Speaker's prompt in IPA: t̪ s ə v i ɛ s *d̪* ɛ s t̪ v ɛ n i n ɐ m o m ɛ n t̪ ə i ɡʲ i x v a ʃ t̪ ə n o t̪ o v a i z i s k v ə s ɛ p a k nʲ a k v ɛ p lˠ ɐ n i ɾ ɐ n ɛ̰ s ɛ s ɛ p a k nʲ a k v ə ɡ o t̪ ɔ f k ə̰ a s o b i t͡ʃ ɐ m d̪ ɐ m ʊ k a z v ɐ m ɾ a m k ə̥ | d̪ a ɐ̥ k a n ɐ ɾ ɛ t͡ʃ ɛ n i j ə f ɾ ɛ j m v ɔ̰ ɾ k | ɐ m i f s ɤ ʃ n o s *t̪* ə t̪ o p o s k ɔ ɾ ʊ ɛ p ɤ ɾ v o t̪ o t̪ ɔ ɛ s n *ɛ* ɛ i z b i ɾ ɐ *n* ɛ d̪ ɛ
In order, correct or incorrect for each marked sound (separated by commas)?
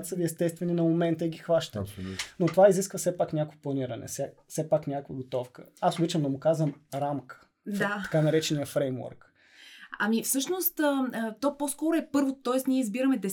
incorrect, correct, incorrect, incorrect